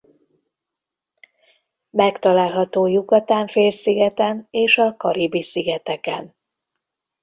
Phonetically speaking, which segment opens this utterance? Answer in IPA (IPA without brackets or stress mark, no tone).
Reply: m